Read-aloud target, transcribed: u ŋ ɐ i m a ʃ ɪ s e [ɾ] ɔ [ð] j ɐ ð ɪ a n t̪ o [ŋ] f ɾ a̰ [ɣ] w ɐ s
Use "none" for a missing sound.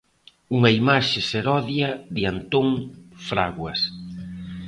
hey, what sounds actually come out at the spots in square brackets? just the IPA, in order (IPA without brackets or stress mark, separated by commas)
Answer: ɾ, ð, ŋ, ɣ